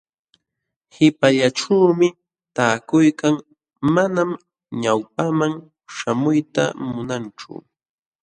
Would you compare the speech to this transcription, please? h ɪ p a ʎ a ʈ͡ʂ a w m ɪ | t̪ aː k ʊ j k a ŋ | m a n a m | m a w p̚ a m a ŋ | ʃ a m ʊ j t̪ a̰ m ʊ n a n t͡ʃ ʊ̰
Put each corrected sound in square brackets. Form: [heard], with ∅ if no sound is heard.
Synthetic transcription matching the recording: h ɪ p a ʎ a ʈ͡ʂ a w m ɪ | t̪ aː k ʊ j k a ŋ | m a n a m | [ɲ] a w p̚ a m a ŋ | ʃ a m ʊ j t̪ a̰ m ʊ n a n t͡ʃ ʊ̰